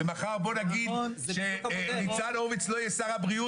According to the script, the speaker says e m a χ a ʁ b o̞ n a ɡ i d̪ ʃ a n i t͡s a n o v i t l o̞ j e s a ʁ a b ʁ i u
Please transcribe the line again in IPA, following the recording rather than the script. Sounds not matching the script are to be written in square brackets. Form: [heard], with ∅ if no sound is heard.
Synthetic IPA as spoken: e m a χ a ʁ b o̞ n a ɡ i d̪ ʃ [e] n i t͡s a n o v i [t͡s] l o̞ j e s a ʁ a b ʁ i u